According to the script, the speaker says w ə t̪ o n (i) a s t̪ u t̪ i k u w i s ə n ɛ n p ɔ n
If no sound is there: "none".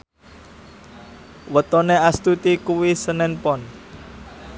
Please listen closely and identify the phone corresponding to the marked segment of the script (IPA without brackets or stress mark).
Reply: e